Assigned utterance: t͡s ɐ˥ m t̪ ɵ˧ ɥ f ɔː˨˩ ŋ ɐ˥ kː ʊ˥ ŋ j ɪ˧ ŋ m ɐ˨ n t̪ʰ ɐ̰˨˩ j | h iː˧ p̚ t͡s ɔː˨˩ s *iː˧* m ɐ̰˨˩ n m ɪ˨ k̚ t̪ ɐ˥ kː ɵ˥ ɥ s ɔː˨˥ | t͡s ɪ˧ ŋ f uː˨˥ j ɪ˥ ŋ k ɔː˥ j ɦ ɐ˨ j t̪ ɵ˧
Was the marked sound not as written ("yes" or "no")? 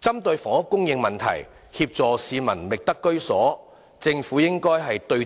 no